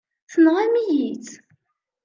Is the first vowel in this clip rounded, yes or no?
no